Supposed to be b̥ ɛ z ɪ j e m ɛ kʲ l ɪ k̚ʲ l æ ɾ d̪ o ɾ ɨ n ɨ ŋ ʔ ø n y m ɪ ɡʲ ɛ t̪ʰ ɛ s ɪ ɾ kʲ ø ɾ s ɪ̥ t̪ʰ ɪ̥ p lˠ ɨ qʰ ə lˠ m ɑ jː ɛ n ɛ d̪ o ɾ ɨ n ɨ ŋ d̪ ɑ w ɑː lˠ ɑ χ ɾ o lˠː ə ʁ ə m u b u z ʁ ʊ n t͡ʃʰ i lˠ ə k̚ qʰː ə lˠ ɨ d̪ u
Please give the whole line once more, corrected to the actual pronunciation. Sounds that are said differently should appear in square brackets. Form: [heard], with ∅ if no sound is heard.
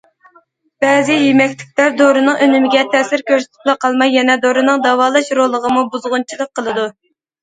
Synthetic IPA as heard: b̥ ɛ z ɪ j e m ɛ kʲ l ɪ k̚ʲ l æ ɾ d̪ o ɾ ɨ n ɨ ŋ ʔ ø n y m ɪ ɡʲ ɛ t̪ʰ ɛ s ɪ ɾ kʲ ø ɾ s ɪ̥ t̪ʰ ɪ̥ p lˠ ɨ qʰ [ɑ] lˠ m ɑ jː ɛ n ɛ d̪ o ɾ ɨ n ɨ ŋ d̪ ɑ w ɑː lˠ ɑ [ʃ] ɾ o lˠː ə ʁ ə m u b u z ʁ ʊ n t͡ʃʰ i lˠ ə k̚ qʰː ə lˠ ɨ d̪ u